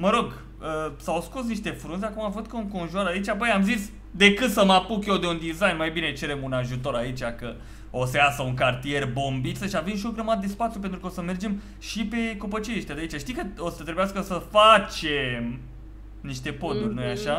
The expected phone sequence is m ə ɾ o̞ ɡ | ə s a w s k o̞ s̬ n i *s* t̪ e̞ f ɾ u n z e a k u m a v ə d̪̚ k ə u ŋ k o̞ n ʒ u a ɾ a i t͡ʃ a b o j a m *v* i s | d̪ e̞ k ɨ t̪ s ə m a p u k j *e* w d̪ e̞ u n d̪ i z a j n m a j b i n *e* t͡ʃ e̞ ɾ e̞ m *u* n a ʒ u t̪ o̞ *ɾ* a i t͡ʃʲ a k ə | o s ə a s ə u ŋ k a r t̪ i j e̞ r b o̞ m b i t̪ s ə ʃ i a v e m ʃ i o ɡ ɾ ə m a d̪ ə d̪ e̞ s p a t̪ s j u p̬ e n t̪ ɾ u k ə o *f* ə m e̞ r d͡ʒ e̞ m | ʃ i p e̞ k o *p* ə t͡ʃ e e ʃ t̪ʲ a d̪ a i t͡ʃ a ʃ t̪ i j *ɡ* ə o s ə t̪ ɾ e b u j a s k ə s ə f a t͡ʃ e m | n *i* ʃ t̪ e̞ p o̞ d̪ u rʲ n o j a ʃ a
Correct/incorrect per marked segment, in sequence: incorrect, incorrect, correct, correct, correct, correct, incorrect, correct, incorrect, correct

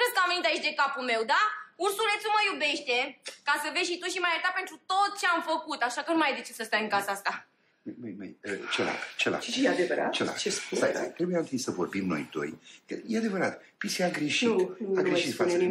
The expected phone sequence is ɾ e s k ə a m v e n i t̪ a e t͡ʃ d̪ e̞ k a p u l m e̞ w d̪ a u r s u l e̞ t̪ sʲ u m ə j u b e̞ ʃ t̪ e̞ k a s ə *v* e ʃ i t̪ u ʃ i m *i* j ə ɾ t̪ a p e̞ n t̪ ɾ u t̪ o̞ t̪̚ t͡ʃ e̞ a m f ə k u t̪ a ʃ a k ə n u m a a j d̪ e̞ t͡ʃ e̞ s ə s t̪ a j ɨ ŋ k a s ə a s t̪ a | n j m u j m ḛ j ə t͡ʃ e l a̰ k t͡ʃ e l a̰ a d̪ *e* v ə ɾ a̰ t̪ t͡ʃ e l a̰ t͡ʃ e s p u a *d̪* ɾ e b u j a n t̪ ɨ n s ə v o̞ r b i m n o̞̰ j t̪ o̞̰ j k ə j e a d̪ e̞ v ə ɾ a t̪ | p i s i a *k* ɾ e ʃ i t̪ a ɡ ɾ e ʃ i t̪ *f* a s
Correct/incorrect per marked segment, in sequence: correct, incorrect, correct, incorrect, incorrect, correct

